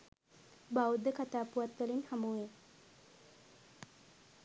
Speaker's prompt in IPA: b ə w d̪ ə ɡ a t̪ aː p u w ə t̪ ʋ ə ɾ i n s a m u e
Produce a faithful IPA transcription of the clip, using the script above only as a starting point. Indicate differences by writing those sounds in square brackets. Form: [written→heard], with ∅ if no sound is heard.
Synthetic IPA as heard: b [ə→a] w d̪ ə [ɡ→k] a t̪ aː p u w [ə→a] t̪ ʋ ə [ɾ→l] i n [s→h] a m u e